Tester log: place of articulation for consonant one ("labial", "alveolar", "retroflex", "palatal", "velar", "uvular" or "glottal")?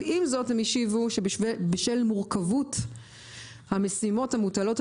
labial